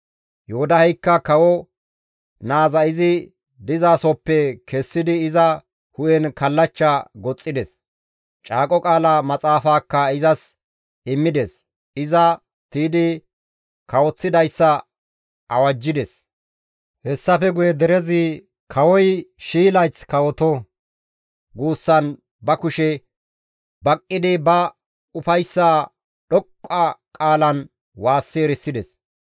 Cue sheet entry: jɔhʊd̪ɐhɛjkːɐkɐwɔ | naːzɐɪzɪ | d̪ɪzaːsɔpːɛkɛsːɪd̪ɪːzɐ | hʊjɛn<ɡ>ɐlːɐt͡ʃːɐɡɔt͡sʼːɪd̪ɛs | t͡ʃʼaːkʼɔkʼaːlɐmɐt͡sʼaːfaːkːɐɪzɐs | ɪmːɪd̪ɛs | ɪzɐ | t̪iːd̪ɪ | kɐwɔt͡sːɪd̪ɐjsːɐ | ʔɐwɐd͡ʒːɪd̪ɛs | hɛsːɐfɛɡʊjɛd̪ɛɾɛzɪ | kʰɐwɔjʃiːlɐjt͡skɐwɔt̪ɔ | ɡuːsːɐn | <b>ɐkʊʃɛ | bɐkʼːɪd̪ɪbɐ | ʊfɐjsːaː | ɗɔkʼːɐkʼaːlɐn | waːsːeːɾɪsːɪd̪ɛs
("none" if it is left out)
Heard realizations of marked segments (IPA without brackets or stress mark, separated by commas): k, b